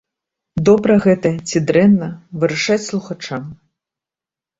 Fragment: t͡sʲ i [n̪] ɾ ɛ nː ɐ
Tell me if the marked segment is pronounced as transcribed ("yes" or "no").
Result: no